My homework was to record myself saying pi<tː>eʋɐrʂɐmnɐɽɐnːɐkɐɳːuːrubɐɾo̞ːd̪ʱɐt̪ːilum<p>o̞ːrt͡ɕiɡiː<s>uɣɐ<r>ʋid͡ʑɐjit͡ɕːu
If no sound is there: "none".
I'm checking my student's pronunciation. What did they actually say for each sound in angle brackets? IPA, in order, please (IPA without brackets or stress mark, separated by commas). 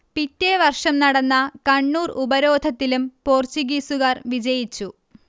tː, p, s, r